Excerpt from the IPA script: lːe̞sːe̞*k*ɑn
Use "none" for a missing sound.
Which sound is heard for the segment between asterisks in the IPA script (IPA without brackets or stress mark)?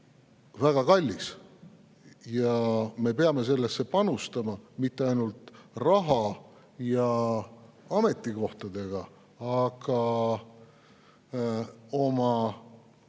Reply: p